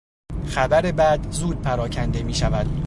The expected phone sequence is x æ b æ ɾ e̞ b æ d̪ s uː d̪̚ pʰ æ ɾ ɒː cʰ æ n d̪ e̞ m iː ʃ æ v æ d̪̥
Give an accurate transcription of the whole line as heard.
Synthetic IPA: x æ b æ ɾ e̞ b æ d̪ z uː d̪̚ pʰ æ ɾ ɒː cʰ æ n d̪ e̞ m iː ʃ æ v æ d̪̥